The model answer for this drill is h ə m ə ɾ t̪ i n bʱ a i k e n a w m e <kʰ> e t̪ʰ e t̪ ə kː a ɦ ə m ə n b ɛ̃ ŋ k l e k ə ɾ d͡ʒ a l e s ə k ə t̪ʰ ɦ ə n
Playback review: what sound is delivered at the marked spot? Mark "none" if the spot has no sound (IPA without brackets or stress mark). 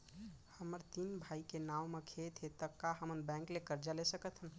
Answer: kʰ